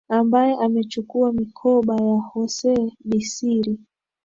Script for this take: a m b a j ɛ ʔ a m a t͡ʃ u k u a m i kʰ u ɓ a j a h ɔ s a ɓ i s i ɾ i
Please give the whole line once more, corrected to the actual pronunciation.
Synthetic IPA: a m b a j ɛ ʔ a m ɛ t͡ʃ u k u a m i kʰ ɔ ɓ a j a h ɔ s ɛ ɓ i s i ɾ i